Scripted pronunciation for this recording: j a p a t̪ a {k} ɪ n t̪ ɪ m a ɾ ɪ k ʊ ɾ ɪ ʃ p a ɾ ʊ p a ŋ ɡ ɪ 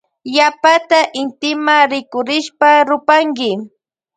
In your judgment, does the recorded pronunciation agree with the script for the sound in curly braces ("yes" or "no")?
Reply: no